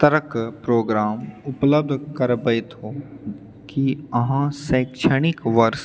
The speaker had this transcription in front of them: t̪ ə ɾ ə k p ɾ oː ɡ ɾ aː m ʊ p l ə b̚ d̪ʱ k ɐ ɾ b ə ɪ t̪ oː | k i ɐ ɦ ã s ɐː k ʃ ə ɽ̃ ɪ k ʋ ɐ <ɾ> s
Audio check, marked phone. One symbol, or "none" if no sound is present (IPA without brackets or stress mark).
ɾ